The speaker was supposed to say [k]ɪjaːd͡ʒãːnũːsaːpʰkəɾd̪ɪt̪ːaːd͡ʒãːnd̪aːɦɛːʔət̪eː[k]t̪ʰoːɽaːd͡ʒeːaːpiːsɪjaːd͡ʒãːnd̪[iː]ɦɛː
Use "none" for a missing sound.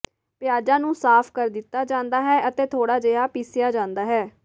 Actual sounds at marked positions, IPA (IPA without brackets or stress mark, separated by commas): p, none, aː